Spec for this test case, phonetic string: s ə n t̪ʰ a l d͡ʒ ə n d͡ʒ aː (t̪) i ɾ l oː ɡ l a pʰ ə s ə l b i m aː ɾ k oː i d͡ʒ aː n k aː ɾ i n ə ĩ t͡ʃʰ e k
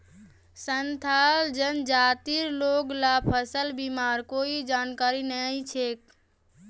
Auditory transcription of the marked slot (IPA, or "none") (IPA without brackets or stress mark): t̪